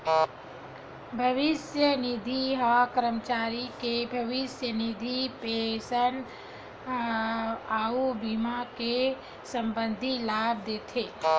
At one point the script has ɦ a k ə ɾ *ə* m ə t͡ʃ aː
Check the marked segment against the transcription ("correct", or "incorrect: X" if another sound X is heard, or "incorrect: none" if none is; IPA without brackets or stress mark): correct